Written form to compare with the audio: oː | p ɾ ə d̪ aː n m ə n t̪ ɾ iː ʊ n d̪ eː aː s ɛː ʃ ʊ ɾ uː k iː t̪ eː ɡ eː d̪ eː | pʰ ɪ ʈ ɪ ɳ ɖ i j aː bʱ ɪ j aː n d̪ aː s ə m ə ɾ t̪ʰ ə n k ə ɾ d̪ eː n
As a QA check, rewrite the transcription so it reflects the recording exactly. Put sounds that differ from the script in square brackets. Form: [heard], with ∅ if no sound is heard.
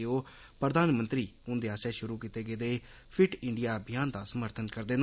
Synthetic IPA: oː | p ɾ ə d̪ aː n m ə n t̪ ɾ iː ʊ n d̪ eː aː s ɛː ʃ ʊ ɾ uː k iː t̪ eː ɡ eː d̪ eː | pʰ ɪ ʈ ɪ ɳ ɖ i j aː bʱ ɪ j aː n d̪ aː s ə m ə ɾ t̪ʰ ə n k ə ɾ d̪ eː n

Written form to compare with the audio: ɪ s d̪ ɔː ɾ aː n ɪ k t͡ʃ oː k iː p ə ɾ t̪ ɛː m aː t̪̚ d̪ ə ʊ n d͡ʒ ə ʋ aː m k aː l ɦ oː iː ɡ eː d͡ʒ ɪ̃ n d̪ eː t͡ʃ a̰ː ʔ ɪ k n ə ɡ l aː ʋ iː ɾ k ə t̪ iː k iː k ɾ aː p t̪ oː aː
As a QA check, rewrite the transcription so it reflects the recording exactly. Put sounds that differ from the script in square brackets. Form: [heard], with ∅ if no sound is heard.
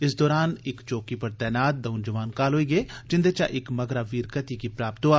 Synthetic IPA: ɪ s d̪ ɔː ɾ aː n ɪ k t͡ʃ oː k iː p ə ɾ t̪ ɛː [n] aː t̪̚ d̪ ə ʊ n d͡ʒ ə ʋ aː [n] k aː l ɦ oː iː ɡ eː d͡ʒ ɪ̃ n d̪ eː t͡ʃ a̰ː ʔ ɪ k [m] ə ɡ [ɾ] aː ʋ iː ɾ k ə t̪ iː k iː [p] ɾ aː p t̪ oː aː

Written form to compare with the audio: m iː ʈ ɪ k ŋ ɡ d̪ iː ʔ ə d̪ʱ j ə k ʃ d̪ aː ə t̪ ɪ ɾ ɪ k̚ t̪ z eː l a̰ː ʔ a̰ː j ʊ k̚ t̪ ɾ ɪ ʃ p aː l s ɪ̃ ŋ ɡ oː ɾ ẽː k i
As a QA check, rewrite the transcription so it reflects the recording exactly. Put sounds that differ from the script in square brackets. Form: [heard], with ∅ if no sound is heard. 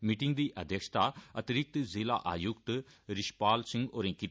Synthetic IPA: m iː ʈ ɪ [∅] ŋ ɡ d̪ iː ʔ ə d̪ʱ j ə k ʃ [t̪] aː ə t̪ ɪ ɾ ɪ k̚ t̪ z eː l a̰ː ʔ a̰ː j ʊ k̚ t̪ ɾ ɪ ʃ p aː l s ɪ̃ ŋ ɡ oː ɾ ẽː k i

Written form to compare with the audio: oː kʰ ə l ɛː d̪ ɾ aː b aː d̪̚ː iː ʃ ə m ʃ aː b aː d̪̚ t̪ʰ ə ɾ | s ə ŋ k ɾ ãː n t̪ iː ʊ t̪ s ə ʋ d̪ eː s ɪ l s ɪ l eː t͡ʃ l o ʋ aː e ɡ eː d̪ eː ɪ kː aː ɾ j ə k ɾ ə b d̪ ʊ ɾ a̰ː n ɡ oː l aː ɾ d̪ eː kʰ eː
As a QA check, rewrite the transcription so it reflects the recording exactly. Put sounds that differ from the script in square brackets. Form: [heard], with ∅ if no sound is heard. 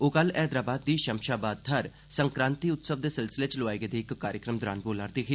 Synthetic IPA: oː [k] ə l ɛː d̪ ɾ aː b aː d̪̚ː iː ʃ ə m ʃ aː b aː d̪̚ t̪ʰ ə ɾ | s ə ŋ k ɾ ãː n t̪ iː ʊ t̪ s ə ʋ d̪ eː s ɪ l s ɪ l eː t͡ʃ l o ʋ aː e ɡ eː d̪ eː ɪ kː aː ɾ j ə k ɾ ə [m] d̪ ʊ ɾ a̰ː n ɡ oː l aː ɾ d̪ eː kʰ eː

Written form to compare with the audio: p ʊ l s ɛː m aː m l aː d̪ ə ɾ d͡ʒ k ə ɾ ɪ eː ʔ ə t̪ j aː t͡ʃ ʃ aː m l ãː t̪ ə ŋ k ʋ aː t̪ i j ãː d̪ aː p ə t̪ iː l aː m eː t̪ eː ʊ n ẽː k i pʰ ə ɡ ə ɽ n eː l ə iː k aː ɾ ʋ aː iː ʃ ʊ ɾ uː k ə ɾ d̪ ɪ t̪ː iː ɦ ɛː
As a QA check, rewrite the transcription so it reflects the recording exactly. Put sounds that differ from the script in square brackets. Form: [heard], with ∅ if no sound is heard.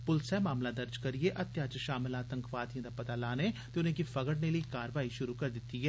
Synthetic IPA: p ʊ l s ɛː m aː m l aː d̪ ə ɾ d͡ʒ k ə ɾ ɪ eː ʔ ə t̪ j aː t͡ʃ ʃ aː m l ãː t̪ ə ŋ k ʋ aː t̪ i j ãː d̪ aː p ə t̪ [aː] l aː [n] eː t̪ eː ʊ n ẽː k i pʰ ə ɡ ə ɽ n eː l ə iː k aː ɾ ʋ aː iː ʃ ʊ ɾ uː k ə ɾ d̪ ɪ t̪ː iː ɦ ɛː

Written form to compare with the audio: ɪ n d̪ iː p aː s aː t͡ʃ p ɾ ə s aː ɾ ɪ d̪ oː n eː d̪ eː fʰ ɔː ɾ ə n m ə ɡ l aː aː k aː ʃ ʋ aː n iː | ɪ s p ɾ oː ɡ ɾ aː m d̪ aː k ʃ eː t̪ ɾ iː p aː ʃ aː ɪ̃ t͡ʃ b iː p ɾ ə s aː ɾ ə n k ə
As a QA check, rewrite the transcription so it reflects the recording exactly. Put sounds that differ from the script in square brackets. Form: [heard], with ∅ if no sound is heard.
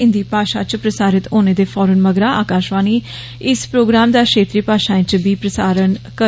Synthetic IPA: ɪ n d̪ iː p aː [ʃ] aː t͡ʃ p ɾ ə s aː ɾ ɪ [t̪] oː n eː d̪ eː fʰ ɔː ɾ ə n m ə ɡ [ɾ] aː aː k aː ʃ ʋ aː n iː | ɪ s p ɾ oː ɡ ɾ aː m d̪ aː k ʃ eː t̪ ɾ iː p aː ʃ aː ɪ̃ t͡ʃ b iː p ɾ ə s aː ɾ ə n k ə

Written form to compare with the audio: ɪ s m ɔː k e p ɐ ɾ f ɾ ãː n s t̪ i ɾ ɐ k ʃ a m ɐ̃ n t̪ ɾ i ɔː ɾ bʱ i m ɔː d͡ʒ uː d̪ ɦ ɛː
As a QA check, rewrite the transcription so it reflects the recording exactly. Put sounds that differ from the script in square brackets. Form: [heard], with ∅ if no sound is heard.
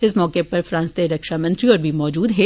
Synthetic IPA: ɪ s m ɔː k e p ɐ ɾ f ɾ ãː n s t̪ [e] ɾ ɐ k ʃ a m ɐ̃ n t̪ ɾ i ɔː ɾ bʱ i m ɔː d͡ʒ uː d̪ ɦ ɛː

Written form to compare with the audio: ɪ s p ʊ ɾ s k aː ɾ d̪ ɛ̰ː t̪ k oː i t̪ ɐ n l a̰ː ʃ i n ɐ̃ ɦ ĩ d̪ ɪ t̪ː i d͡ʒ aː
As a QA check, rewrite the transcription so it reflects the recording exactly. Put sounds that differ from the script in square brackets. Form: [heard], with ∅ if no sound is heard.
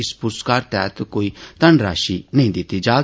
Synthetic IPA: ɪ s p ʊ ɾ s k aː ɾ [t̪] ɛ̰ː t̪ k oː i t̪ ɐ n [ɾ] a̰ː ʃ i n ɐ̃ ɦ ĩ d̪ ɪ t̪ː i d͡ʒ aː

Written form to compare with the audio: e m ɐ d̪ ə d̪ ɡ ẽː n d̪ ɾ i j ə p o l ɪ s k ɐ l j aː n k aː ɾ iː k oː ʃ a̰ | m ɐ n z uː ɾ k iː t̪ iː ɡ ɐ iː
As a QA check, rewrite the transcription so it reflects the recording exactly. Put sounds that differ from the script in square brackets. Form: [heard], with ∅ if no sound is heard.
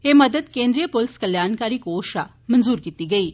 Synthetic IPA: e m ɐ d̪ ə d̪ [k] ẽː n d̪ ɾ i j ə p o l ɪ s k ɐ l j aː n k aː ɾ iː k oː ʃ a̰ | m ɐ n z uː ɾ k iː t̪ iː ɡ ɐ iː

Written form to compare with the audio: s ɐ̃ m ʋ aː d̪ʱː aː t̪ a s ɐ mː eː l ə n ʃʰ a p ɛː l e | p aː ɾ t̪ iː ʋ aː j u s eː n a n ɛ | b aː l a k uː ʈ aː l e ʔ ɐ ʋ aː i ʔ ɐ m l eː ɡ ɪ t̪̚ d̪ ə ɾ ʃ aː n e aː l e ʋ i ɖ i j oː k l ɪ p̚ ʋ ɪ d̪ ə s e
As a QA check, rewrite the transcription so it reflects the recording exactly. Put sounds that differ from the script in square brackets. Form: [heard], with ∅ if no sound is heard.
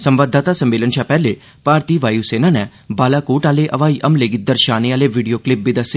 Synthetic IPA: s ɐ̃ m ʋ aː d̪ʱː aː t̪ a s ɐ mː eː l ə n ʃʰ a p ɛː l e | p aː ɾ t̪ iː ʋ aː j u s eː n a n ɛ | b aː l a k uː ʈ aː l e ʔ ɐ ʋ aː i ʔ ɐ m l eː ɡ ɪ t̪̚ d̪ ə ɾ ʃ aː n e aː l e ʋ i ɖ i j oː k l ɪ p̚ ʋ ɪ d̪ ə s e

